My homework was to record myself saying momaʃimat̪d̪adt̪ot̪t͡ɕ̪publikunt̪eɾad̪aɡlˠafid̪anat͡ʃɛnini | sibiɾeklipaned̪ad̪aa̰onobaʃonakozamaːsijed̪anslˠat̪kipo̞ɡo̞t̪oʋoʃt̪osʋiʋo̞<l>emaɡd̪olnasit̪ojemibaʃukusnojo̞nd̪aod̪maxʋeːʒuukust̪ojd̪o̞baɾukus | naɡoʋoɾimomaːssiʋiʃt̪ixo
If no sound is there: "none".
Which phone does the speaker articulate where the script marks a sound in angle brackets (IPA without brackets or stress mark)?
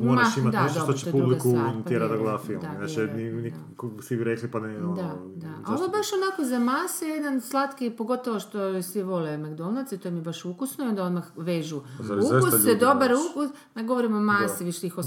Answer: l